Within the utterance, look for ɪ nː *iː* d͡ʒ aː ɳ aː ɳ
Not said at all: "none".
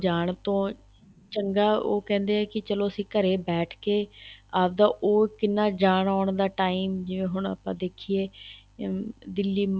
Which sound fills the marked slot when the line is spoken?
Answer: aː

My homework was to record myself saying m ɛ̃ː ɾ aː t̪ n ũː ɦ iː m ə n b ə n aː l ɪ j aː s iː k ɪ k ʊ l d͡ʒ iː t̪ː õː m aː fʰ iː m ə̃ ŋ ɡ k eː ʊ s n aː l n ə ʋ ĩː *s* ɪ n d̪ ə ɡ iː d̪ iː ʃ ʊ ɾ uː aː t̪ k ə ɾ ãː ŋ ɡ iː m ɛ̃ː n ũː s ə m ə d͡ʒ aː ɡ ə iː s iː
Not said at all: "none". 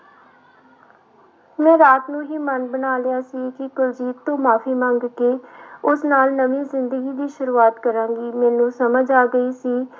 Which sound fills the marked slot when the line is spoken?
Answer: z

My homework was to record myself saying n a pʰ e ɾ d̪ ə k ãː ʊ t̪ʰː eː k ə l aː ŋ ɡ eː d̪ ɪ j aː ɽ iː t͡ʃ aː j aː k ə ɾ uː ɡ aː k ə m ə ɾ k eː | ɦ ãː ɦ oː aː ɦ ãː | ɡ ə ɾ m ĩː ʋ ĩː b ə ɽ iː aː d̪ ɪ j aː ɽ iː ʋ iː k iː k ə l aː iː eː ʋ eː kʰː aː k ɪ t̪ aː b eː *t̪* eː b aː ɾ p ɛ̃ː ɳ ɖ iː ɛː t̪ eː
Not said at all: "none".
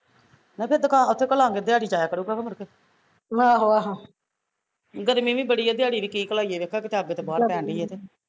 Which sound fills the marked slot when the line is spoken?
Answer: t̪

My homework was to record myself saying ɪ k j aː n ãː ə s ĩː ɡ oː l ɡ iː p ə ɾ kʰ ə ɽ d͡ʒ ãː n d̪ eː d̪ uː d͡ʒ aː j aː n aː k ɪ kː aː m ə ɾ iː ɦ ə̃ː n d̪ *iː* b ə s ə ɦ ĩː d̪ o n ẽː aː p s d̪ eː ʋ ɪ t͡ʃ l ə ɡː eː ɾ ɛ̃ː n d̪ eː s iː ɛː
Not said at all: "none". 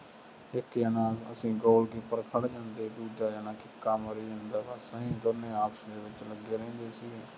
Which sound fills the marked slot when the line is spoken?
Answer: aː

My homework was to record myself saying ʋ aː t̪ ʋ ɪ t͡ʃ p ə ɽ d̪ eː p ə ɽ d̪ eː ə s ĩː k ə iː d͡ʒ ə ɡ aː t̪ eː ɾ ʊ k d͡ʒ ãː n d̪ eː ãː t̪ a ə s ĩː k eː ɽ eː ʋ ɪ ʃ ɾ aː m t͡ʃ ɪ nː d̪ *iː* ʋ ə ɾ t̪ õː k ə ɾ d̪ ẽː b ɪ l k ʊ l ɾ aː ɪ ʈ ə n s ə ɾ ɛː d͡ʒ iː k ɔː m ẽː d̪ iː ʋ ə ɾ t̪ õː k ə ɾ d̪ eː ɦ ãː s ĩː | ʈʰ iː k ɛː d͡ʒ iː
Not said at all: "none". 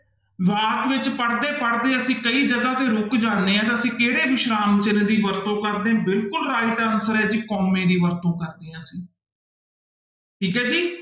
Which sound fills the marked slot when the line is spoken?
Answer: iː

